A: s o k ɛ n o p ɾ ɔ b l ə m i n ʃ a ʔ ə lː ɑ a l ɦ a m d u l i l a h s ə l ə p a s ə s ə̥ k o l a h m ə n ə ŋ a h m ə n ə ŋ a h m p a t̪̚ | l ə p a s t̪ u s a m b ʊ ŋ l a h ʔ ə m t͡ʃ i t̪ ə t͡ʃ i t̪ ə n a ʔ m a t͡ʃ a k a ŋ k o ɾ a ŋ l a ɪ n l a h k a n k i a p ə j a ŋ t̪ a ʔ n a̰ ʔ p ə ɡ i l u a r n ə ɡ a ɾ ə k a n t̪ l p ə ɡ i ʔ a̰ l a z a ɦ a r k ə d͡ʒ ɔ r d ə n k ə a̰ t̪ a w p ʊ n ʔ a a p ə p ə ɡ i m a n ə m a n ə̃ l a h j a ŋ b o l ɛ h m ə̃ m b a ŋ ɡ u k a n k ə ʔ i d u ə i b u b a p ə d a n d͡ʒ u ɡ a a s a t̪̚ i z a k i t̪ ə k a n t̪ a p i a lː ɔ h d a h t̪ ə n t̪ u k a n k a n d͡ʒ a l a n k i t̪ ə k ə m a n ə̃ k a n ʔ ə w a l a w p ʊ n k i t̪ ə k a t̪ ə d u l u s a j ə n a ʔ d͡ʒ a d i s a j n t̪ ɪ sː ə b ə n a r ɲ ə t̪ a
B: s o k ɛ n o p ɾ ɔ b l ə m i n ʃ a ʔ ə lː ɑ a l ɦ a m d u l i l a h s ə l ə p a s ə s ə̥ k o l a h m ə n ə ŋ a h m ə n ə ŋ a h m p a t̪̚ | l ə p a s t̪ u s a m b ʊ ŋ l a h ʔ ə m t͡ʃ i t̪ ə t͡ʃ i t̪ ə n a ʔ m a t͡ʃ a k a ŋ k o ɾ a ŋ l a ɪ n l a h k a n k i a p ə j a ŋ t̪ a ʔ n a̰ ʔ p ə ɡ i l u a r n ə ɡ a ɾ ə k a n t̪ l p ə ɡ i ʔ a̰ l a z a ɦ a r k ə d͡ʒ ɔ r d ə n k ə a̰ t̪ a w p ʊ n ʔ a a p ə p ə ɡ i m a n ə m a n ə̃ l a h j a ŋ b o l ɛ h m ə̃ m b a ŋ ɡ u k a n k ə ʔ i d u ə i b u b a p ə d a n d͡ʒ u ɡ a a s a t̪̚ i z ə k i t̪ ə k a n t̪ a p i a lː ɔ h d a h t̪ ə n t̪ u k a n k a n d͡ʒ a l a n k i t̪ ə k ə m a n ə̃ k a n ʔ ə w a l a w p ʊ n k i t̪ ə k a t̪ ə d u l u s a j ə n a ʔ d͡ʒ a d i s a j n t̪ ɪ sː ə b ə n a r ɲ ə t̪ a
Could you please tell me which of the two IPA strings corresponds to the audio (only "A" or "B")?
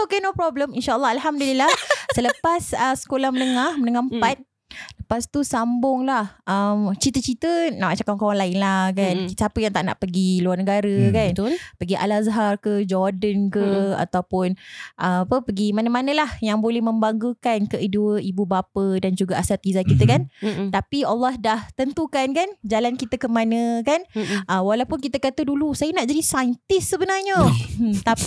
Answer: A